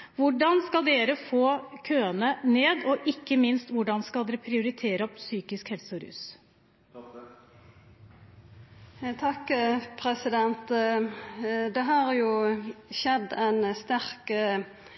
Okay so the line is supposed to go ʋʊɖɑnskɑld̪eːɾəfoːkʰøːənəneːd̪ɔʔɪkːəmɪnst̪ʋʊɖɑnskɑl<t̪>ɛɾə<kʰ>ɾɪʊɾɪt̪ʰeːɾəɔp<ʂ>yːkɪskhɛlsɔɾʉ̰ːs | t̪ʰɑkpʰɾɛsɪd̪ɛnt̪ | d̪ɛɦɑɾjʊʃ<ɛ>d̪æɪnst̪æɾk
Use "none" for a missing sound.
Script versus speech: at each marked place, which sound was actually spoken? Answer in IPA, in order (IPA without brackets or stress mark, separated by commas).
d̪, pʰ, s, ɛ